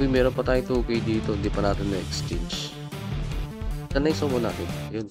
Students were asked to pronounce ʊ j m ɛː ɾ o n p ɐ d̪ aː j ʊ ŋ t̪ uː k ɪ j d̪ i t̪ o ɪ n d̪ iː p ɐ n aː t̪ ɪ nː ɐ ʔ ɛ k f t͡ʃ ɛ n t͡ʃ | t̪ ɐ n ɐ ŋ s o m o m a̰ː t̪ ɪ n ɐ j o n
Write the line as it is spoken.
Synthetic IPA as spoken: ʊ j m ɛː ɾ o n p ɐ t̪ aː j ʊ ŋ t̪ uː k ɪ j d̪ iː t̪ o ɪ n d̪ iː p ɐ n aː t̪ ɪ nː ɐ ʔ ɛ k s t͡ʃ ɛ n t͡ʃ | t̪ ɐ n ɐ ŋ s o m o n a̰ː t̪ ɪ n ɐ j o n